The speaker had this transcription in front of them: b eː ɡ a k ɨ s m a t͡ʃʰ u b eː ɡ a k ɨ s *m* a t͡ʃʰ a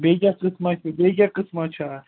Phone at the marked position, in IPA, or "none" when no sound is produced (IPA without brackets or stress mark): m